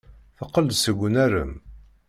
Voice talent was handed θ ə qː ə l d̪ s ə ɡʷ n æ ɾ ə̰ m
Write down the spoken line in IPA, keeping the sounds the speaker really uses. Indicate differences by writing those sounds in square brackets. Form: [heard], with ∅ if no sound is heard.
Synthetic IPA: θ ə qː ə l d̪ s ə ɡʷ n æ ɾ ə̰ m